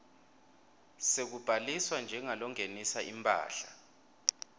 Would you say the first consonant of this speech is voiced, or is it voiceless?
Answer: voiceless